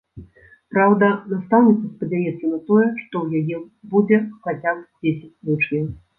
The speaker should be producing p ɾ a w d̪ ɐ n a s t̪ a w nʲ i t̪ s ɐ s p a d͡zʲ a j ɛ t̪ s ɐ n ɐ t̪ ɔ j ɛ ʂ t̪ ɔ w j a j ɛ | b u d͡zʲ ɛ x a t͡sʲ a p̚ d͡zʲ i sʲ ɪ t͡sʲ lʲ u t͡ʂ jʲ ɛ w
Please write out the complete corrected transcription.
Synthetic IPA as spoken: p ɾ a w d̪ ɐ n a s t̪ a w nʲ i t̪ s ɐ s p ɐ d͡zʲ a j ɛ t̪ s ɐ n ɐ t̪ ɔ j ɛ ʂ t̪ ɔ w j a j ɛ | b u d͡zʲ ɛ x a t͡sʲ a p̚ d͡zʲ e sʲ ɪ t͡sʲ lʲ u t͡ʂ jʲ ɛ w